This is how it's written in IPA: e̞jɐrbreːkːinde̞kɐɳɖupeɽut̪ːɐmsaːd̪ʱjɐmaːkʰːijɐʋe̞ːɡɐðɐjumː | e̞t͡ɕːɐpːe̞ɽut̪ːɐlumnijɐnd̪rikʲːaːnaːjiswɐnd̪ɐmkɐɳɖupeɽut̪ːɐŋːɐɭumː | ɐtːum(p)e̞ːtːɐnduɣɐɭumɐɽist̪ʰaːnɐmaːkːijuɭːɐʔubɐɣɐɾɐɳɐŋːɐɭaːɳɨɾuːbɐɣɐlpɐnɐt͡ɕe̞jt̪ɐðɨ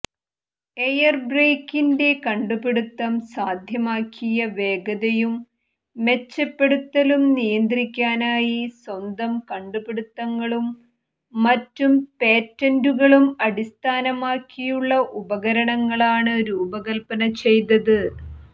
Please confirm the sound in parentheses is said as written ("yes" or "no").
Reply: yes